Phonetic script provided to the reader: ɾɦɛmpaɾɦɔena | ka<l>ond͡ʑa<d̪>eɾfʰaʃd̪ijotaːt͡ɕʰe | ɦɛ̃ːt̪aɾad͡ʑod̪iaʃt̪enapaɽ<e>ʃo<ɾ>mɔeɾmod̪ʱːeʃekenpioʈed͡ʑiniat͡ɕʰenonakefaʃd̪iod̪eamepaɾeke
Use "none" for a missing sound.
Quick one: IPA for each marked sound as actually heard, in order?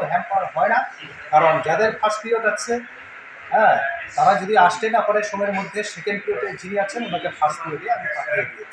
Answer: ɾ, d̪, e, none

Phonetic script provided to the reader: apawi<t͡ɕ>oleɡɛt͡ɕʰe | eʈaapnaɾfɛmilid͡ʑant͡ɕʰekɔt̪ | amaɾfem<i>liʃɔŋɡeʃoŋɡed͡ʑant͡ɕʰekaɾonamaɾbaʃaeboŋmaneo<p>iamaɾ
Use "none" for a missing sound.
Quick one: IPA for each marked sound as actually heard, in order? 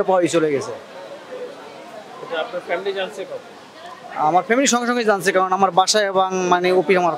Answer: t͡ɕ, i, p

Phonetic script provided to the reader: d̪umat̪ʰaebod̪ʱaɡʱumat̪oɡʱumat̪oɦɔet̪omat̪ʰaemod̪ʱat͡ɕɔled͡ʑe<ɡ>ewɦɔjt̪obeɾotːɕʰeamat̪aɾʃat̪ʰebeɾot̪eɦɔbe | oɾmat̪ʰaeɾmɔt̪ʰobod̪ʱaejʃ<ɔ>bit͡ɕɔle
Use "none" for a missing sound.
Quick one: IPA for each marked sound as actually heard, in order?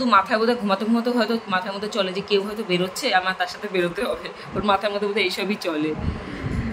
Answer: k, ɔ

